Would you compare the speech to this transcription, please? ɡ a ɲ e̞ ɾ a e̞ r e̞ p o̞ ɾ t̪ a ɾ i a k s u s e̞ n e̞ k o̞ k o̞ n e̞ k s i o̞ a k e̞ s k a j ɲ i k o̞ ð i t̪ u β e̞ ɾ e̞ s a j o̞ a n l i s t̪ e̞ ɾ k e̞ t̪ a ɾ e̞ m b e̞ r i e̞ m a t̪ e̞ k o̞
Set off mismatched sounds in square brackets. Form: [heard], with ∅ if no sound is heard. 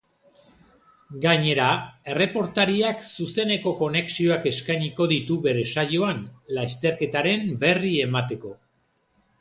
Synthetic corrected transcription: ɡ a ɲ e̞ ɾ a e̞ r e̞ p o̞ ɾ t̪ a ɾ i a k s u s e̞ n e̞ k o̞ k o̞ n e̞ k s i o̞ a k e̞ s k a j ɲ i k o̞ ð i t̪ u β e̞ ɾ e̞ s a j o̞ a n l [a] s t̪ e̞ ɾ k e̞ t̪ a ɾ e̞ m b e̞ r i e̞ m a t̪ e̞ k o̞